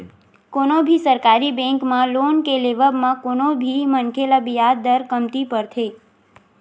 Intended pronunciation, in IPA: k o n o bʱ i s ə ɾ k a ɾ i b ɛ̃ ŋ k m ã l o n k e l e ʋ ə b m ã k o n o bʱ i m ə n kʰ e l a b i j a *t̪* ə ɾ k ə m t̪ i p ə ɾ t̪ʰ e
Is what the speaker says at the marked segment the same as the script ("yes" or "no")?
no